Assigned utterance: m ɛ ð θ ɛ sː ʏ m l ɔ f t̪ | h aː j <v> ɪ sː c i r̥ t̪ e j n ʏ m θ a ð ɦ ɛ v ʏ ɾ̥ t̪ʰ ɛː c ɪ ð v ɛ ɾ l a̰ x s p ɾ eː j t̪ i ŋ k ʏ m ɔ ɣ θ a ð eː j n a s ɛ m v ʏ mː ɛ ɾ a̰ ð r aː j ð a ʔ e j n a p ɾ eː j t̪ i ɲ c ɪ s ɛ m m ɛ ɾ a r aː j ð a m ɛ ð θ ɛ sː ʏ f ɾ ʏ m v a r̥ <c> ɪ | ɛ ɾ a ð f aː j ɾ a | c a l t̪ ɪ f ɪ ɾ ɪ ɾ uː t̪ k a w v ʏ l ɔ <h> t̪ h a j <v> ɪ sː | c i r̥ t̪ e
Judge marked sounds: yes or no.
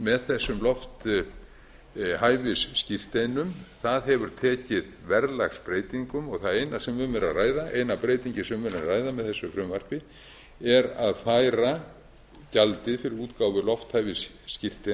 yes, no, no, yes

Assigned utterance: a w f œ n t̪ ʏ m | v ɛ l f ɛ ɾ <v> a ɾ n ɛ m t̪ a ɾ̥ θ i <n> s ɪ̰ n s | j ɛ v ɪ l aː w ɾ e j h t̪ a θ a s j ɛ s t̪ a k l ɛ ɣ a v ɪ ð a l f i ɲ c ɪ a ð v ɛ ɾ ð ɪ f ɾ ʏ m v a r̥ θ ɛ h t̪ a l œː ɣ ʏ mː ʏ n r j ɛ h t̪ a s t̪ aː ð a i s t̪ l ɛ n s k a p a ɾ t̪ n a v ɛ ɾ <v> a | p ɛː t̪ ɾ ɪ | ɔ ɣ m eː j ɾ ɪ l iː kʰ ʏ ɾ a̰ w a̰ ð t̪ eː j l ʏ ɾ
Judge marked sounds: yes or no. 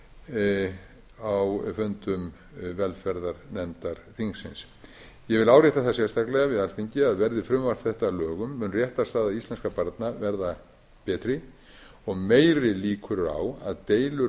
no, no, no

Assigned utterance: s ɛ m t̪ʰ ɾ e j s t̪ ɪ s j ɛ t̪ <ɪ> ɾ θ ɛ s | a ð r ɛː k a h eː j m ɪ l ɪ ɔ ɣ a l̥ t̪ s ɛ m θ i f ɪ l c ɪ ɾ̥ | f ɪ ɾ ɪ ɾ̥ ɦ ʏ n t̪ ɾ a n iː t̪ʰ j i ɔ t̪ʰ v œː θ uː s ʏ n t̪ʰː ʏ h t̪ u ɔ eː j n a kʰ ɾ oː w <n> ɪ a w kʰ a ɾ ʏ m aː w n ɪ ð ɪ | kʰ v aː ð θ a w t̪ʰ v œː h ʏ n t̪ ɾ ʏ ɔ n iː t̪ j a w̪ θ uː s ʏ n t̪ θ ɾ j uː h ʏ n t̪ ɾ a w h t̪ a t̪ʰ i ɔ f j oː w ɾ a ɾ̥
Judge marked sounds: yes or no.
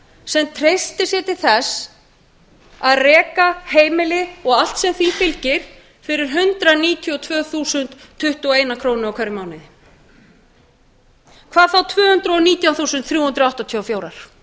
yes, yes

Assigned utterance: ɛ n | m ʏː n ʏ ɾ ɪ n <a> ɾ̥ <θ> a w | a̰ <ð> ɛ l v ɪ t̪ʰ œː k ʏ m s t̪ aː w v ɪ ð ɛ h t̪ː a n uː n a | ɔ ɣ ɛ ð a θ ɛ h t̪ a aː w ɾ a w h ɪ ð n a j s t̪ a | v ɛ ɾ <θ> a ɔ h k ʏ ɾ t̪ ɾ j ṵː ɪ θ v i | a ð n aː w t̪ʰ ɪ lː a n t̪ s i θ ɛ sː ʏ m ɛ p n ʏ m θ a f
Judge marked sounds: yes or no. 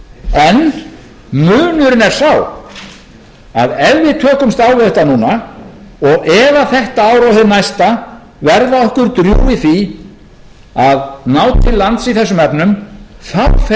no, no, yes, no

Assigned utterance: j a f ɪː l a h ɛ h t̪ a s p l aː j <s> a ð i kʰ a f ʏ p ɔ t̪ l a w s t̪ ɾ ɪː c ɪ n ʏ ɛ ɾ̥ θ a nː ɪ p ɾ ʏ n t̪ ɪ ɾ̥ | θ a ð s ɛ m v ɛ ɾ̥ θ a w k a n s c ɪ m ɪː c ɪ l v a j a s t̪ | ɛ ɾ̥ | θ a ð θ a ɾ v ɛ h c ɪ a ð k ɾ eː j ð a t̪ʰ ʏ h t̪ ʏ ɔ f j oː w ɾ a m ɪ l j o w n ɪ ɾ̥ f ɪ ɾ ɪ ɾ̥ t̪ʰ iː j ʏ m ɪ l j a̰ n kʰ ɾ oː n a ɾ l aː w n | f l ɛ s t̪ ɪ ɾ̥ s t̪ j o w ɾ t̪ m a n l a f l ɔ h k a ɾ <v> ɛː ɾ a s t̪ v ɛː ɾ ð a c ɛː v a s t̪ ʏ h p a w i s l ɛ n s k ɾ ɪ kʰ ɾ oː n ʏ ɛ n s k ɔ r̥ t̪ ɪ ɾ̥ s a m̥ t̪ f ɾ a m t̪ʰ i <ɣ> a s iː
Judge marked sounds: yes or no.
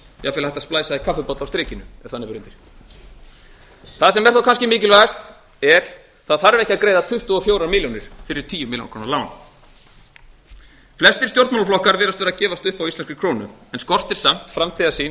yes, yes, no

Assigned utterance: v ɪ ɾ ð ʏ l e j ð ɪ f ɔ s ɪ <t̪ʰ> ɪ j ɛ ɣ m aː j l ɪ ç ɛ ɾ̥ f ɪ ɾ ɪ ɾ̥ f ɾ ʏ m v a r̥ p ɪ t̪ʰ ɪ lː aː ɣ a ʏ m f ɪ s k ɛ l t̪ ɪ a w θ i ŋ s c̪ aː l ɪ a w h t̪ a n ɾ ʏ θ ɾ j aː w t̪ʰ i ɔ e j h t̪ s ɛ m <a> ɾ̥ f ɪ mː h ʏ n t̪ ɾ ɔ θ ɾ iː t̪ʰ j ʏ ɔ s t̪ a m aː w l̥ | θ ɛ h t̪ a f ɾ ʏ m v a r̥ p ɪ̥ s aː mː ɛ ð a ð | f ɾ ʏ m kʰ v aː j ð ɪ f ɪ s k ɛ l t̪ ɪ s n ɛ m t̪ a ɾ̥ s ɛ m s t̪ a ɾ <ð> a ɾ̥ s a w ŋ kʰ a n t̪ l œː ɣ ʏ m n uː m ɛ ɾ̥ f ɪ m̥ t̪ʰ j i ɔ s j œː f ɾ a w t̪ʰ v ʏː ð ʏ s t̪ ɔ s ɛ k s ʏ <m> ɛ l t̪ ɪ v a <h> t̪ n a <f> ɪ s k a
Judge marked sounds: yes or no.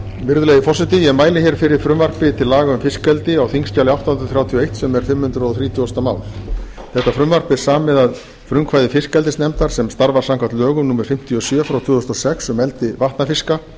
no, no, no, yes, yes, yes

